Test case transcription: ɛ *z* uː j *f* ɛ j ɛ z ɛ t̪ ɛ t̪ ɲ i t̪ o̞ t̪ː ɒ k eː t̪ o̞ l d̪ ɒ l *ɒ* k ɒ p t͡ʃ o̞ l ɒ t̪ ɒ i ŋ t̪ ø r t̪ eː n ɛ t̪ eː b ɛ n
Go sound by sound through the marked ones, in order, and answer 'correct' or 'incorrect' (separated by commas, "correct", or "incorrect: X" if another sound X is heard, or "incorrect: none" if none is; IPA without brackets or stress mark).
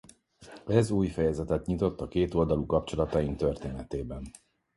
correct, correct, incorrect: u